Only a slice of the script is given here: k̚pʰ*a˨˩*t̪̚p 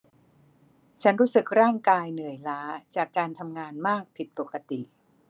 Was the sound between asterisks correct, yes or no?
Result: no